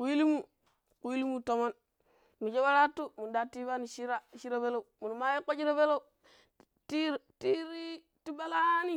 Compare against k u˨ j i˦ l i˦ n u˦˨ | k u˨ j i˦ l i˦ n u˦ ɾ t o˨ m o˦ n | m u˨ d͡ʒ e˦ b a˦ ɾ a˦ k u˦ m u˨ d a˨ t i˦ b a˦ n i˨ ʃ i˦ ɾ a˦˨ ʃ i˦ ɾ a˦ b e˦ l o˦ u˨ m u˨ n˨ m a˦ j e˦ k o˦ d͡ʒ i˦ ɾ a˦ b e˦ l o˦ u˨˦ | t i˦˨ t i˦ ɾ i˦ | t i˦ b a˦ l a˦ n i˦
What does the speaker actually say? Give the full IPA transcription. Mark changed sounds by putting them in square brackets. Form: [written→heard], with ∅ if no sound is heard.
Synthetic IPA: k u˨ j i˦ l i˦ [n→m] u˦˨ | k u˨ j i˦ l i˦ [n→m] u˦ [ɾ→∅] t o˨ m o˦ n | m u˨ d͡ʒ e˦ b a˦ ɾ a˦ [k→t] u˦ m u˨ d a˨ t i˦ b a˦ n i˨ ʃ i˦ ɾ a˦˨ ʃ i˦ ɾ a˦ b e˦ l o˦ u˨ m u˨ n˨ m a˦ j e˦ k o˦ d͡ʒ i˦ ɾ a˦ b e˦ l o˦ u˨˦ | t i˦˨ t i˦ ɾ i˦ | t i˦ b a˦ l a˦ n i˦